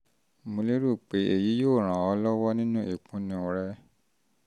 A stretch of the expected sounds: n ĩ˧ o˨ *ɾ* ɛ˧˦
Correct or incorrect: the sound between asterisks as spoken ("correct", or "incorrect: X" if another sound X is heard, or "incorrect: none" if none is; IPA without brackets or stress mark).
correct